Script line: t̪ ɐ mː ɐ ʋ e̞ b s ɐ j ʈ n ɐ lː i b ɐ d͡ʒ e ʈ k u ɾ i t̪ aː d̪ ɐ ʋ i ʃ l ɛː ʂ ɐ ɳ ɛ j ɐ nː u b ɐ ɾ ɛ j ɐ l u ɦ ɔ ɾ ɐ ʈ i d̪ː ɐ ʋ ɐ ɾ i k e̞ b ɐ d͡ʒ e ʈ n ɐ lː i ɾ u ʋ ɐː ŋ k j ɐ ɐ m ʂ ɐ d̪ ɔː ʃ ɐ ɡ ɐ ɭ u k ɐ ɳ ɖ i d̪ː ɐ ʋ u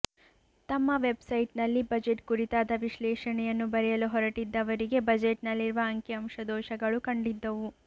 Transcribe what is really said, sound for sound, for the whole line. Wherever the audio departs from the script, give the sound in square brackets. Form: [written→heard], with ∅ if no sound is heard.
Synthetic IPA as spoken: t̪ ɐ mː ɐ ʋ e̞ b s ɐ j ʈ n ɐ lː i b ɐ d͡ʒ e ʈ k u ɾ i t̪ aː d̪ ɐ ʋ i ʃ l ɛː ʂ ɐ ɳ ɛ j ɐ nː u b ɐ ɾ ɛ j ɐ l u ɦ ɔ ɾ ɐ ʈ i d̪ː ɐ ʋ ɐ ɾ i [k→ɡ] e̞ b ɐ d͡ʒ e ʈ n ɐ lː i ɾ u ʋ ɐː ŋ k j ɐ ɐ m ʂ ɐ d̪ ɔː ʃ ɐ ɡ ɐ ɭ u k ɐ ɳ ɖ i d̪ː ɐ ʋ u